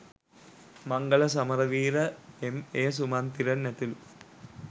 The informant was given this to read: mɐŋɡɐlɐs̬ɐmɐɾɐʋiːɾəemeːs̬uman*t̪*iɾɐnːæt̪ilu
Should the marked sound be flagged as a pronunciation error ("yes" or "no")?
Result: no